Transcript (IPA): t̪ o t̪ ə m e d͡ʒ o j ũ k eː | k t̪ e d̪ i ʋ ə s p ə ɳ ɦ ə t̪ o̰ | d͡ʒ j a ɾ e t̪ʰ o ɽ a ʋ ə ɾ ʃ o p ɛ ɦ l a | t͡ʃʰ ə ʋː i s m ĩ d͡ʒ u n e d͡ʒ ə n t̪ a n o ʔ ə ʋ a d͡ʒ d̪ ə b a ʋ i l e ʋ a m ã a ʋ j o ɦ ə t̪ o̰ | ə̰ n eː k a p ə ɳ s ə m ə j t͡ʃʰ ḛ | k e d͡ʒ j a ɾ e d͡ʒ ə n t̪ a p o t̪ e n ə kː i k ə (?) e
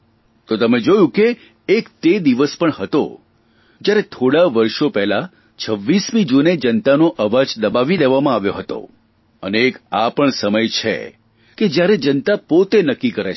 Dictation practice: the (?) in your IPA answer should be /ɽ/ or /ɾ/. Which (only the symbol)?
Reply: ɾ